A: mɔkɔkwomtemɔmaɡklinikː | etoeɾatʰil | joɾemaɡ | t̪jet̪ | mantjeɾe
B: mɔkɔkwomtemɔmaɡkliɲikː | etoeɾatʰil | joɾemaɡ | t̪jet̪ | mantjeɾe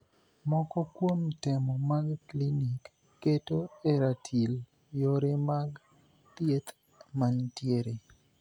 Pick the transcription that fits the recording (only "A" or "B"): A